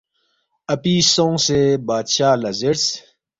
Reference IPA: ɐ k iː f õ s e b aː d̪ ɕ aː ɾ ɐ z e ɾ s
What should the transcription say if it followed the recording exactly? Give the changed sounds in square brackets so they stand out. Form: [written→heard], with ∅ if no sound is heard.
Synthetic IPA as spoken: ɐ [k→p] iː [f→s] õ s e b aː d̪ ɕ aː [ɾ→l] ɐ z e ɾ s